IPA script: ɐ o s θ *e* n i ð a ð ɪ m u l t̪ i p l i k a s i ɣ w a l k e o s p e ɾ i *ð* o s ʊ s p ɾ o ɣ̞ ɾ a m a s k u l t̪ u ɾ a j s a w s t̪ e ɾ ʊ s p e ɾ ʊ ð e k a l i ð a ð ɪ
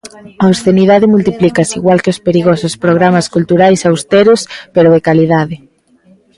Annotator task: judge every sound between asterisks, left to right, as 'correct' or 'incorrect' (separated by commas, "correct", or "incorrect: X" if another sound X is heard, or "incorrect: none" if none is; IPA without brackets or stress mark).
correct, incorrect: ɣ